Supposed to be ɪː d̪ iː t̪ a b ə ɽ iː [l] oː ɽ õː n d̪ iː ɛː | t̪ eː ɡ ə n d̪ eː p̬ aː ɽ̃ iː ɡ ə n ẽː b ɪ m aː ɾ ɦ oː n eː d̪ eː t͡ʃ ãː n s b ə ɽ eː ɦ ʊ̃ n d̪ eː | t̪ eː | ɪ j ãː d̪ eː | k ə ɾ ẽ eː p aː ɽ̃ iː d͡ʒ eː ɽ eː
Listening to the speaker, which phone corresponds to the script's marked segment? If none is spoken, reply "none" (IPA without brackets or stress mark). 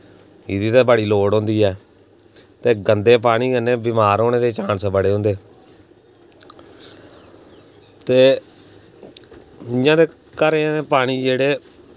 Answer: l